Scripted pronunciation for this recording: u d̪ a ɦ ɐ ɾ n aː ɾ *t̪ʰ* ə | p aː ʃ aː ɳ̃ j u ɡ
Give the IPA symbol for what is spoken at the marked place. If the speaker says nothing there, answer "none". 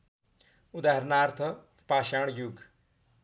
t̪ʰ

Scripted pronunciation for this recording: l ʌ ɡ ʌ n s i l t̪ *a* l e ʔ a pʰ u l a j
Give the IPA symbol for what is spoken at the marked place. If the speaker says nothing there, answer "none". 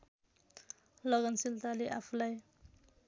a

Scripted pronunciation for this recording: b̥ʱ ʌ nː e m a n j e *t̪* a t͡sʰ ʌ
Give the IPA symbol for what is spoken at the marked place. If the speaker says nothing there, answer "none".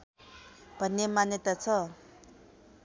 t̪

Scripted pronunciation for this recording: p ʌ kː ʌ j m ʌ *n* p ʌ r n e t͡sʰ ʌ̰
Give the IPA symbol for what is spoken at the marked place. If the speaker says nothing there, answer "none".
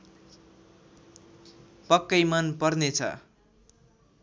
n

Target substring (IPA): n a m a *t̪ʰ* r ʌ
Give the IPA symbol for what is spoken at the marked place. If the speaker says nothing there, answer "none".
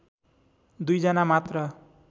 t̪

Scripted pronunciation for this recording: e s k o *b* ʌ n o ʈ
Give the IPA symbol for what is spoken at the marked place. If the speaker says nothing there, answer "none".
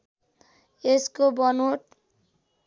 b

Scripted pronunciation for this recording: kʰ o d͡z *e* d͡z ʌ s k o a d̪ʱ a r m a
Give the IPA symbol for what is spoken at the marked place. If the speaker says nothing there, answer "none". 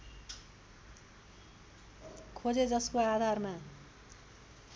e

